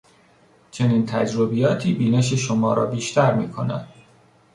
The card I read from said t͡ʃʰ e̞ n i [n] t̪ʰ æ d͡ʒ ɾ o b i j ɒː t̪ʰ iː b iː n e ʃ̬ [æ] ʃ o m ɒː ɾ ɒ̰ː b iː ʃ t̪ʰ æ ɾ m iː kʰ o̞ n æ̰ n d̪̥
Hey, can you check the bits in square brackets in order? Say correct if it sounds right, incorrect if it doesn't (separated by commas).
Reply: correct, incorrect